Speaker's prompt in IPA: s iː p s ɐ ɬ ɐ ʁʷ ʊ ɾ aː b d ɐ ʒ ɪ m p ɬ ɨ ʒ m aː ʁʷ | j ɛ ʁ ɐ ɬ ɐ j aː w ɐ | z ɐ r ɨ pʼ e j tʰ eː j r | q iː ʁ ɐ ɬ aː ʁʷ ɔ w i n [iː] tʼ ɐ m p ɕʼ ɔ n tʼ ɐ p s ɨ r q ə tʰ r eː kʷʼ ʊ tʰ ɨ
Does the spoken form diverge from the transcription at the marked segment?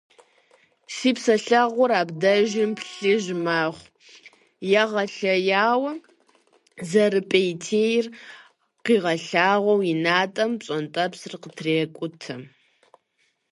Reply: yes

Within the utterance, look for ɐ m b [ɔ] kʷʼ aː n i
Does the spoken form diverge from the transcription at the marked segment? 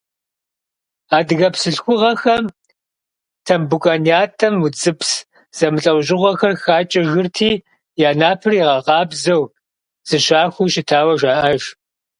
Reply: yes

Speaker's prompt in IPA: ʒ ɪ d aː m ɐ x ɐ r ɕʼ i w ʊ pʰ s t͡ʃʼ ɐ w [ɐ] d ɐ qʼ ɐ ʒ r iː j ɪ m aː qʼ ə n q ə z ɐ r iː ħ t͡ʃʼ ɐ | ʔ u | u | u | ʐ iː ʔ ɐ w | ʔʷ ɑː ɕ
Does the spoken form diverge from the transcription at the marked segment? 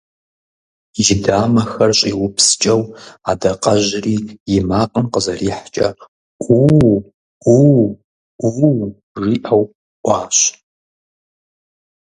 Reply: yes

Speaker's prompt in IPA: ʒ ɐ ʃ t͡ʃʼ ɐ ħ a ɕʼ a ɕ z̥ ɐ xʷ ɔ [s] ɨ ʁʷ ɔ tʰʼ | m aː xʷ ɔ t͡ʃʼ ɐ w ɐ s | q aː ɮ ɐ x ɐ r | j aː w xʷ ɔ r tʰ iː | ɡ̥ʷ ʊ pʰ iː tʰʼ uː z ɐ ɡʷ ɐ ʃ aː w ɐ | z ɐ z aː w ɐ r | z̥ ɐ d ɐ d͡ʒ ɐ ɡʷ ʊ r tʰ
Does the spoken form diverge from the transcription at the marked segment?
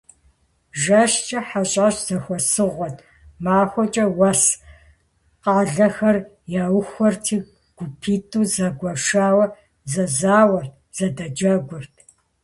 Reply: no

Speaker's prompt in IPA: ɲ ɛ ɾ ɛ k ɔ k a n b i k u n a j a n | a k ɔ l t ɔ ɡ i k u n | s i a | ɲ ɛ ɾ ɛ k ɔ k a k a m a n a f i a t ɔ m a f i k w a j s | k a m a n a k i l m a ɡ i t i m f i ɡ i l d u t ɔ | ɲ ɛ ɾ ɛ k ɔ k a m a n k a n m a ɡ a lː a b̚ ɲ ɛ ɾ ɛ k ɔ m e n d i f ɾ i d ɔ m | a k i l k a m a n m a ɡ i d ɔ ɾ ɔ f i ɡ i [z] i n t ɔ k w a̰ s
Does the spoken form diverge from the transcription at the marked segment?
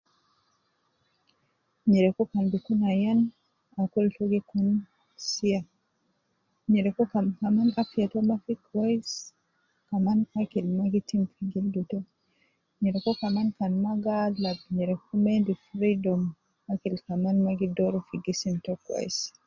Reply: yes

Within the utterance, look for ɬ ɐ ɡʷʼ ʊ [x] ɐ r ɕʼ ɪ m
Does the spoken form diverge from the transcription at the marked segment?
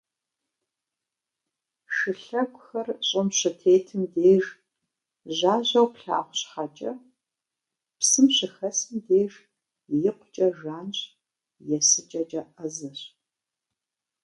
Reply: no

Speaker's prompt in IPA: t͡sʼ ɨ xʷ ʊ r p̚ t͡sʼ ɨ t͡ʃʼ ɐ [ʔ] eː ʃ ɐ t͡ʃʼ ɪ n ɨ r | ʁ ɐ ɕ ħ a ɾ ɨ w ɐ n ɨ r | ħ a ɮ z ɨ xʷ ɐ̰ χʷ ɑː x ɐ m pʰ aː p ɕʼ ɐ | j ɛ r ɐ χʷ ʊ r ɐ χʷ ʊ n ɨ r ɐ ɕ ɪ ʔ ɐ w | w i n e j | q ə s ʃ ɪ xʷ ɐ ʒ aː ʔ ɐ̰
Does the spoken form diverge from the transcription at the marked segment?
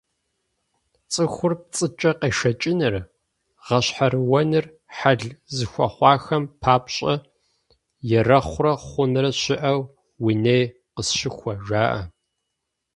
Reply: yes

